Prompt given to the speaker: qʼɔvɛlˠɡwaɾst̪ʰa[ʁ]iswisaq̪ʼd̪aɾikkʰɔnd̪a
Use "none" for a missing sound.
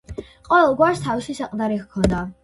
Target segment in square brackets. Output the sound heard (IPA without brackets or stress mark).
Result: v